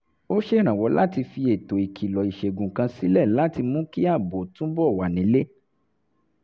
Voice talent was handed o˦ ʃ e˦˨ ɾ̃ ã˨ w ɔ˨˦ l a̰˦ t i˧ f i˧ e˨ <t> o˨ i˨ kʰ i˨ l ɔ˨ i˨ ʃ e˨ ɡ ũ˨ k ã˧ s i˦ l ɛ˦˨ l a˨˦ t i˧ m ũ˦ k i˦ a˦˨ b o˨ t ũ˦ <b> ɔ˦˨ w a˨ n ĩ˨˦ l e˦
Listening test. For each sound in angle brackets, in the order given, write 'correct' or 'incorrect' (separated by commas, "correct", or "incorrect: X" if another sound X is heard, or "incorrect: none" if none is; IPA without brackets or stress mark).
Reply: correct, correct